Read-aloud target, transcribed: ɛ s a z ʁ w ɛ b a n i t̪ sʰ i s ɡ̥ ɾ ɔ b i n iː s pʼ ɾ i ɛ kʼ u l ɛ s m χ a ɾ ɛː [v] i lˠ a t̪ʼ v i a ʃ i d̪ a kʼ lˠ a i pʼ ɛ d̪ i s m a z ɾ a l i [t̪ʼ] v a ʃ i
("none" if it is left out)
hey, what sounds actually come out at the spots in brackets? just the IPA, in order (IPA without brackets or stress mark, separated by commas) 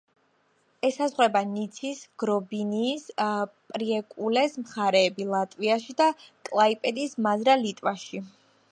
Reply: b, t̪ʼ